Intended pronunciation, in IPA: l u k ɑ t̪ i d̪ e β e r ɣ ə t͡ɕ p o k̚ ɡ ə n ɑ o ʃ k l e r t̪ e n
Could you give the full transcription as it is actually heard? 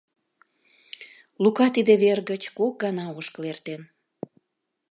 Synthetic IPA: l u k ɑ t̪ i d̪ e β e r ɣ ə t͡ɕ k o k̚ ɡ ɑ n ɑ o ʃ k l e r t̪ e n